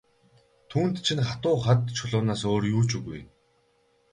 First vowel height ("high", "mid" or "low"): high